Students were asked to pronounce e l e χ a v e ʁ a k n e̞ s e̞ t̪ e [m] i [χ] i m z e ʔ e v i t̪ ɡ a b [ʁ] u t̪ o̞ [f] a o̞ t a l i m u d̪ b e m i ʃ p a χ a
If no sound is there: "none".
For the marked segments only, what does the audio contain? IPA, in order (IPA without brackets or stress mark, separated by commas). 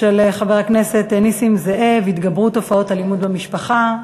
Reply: n, s, ʁ, f